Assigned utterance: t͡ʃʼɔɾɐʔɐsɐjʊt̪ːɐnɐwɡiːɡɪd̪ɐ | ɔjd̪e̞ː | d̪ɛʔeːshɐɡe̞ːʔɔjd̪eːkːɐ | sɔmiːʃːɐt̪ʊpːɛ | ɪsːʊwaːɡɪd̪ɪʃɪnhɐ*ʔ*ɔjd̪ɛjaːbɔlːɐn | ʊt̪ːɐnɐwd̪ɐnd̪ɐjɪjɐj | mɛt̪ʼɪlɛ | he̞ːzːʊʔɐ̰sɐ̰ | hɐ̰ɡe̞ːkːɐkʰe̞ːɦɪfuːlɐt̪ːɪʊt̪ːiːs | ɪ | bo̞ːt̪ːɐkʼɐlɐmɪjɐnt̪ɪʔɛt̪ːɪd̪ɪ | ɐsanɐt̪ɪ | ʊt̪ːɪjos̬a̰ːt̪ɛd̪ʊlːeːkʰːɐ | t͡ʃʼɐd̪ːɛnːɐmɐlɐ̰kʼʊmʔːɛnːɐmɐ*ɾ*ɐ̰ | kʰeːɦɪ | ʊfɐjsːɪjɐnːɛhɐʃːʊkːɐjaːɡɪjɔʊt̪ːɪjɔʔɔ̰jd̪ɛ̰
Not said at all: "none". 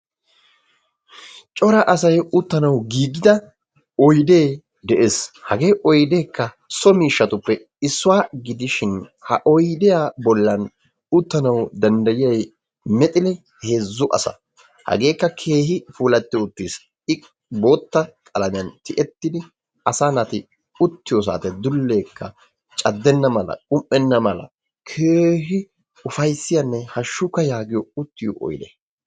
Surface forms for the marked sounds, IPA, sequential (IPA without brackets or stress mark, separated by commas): ʔ, l